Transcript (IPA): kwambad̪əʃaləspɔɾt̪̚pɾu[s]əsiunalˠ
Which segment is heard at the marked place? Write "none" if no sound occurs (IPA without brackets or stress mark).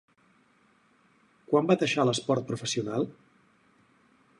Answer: f